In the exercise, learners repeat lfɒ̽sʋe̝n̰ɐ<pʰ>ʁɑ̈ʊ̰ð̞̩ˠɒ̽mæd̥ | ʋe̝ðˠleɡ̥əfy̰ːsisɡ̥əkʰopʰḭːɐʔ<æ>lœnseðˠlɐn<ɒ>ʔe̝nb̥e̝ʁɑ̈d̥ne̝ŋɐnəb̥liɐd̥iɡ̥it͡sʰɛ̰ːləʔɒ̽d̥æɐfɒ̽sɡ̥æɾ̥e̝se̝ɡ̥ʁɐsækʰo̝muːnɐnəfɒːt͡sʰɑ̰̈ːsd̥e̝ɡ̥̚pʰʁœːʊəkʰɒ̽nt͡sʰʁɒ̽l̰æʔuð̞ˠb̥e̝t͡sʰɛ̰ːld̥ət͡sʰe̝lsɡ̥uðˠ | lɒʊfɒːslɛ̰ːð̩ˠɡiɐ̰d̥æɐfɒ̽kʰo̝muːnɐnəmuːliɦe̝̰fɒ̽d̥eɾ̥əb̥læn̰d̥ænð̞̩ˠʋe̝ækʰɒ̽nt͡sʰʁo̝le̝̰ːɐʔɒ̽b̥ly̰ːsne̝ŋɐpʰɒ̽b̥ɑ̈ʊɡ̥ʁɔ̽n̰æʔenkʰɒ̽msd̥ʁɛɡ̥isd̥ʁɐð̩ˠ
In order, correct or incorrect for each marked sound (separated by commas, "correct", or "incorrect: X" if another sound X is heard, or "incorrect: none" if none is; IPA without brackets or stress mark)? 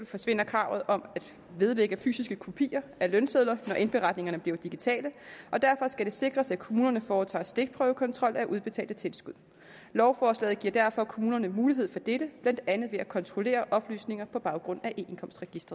incorrect: kʰ, correct, correct